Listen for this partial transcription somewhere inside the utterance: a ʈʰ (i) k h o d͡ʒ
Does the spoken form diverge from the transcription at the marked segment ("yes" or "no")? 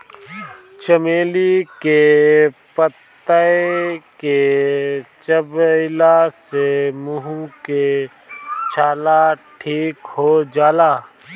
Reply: yes